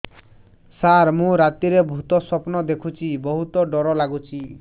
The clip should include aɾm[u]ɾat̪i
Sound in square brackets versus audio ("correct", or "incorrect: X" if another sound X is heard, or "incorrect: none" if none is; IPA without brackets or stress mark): incorrect: ũ